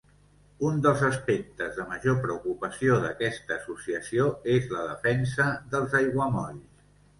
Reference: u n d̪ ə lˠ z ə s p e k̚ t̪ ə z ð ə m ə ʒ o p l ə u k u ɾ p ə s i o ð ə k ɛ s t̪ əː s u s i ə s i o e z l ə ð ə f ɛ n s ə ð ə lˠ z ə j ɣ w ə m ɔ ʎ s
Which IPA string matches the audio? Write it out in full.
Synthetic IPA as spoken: u n d̪ ə lˠ z ə s p e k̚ t̪ ə z ð ə m ə ʒ o p ɾ ə u k u p ə s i o ð ə k ɛ s t̪ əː s u s i ə s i o e z l ə ð ə f ɛ n s ə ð ə lˠ z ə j ɣ w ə m ɔ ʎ s